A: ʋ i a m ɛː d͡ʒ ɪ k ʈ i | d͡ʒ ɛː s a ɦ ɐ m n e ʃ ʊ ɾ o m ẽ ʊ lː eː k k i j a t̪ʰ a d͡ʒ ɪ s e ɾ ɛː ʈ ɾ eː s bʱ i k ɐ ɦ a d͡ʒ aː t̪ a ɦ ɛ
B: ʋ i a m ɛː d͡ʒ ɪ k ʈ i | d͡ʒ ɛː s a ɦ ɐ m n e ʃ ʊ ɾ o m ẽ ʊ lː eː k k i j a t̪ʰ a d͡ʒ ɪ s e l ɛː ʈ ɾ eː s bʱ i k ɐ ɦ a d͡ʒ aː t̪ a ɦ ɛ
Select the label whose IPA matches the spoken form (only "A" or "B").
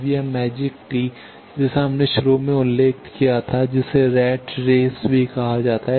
A